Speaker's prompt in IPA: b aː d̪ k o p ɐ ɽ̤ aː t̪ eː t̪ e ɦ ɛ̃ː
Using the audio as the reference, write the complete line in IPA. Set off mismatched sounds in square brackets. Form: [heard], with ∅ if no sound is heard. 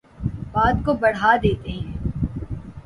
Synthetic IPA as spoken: b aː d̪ k o [b] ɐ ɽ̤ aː [d̪] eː t̪ e ɦ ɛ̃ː